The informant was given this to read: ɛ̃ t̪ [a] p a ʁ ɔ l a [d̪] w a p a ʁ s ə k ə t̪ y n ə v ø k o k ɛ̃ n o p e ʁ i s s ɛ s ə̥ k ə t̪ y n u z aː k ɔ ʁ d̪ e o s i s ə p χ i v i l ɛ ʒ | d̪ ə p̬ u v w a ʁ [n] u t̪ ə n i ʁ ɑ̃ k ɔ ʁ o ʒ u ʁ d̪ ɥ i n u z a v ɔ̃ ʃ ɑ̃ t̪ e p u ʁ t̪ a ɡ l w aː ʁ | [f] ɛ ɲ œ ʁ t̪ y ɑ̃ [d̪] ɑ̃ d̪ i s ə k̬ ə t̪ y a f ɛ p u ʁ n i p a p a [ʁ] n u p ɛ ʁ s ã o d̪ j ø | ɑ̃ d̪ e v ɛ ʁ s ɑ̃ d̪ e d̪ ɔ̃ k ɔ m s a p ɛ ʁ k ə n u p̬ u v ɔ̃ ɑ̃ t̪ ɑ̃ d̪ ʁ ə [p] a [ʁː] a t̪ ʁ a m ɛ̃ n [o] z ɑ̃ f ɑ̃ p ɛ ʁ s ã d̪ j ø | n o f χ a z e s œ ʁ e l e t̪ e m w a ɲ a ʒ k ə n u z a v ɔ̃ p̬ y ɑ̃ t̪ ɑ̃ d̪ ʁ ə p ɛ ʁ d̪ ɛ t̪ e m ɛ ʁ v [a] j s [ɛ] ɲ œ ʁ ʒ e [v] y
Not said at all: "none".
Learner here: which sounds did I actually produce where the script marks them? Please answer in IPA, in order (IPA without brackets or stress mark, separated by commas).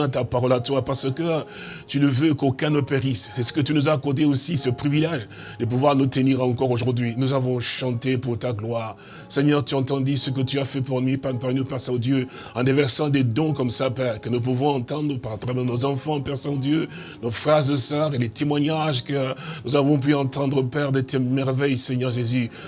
a, t̪, n, s, t̪, ʁ, p, ʁ, o, ɛ, ɛ, z